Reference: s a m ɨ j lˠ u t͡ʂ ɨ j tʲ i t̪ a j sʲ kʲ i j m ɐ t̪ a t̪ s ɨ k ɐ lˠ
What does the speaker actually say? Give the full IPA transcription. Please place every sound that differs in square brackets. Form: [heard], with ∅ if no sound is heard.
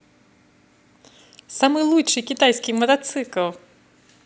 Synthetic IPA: s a m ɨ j lˠ u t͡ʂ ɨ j [kʲ] i t̪ a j sʲ kʲ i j m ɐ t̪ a t̪ s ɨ k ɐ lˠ